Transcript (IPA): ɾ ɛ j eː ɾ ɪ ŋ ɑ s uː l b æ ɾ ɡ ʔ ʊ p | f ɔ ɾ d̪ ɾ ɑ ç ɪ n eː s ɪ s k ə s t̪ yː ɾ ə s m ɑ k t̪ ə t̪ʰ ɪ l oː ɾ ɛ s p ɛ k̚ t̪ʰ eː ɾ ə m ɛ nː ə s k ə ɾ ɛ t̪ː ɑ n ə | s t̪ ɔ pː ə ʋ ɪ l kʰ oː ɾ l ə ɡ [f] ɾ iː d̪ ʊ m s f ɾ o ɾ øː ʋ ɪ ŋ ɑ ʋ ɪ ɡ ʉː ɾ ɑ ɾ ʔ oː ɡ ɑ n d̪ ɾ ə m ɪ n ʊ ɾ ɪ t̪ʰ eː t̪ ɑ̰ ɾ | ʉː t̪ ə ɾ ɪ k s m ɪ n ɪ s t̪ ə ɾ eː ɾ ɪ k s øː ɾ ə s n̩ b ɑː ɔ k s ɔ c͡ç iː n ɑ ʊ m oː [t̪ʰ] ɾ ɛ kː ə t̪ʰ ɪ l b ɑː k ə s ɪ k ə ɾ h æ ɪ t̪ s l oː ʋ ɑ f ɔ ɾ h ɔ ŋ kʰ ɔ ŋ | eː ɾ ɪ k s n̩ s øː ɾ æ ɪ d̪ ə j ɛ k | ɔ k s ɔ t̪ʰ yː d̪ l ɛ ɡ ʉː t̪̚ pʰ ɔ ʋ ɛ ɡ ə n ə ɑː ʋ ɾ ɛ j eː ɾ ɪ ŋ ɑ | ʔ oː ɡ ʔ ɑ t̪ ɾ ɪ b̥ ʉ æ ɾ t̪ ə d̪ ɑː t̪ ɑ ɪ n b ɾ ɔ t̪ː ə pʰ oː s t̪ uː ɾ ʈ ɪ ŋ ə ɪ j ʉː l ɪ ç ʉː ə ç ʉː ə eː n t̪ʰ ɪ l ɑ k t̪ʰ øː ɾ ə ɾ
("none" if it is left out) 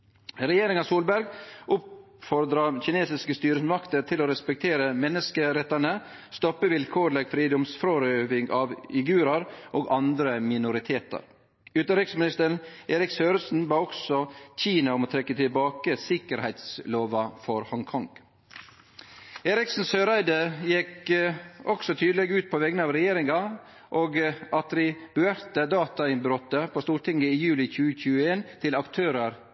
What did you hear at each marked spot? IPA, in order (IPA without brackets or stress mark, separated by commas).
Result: f, t̪ʰ